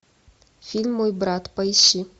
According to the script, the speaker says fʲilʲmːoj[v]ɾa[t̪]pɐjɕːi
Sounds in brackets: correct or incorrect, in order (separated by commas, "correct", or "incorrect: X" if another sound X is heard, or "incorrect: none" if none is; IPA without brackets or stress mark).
incorrect: b, correct